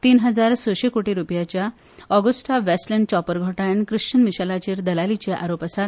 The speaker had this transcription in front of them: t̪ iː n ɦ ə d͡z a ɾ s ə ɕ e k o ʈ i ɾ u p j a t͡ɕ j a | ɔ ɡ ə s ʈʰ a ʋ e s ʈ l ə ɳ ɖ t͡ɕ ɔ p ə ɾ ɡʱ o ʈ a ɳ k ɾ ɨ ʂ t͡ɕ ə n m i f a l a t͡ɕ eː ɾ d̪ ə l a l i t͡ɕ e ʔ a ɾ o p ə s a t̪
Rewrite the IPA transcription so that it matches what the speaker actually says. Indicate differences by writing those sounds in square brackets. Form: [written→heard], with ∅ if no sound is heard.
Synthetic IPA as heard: t̪ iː n ɦ ə d͡z a ɾ s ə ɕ e k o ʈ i ɾ u p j a t͡ɕ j a | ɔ ɡ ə s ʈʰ a ʋ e s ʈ l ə ɳ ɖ t͡ɕ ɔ p ə ɾ ɡʱ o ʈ a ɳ k ɾ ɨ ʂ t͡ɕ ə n m i [f→ɕ] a l a t͡ɕ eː ɾ d̪ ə l a l i t͡ɕ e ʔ a ɾ o p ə s a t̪